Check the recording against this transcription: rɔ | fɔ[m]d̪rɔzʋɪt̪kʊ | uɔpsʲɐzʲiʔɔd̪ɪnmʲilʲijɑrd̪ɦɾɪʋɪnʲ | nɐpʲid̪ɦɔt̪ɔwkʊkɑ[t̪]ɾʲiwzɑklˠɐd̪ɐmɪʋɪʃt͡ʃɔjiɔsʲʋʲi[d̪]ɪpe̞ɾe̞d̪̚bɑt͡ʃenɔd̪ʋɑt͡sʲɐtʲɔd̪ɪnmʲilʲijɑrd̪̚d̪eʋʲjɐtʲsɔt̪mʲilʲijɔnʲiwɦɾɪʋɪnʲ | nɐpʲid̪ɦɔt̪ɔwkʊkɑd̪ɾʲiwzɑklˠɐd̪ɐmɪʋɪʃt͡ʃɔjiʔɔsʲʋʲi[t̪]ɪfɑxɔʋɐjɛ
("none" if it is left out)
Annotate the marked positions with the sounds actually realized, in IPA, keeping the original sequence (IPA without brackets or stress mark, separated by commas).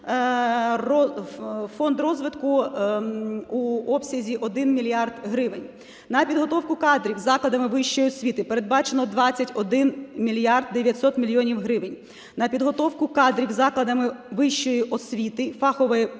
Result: n, d̪, t̪, t̪